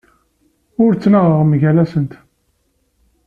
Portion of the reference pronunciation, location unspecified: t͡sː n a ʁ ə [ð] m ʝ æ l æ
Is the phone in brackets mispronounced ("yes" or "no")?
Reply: yes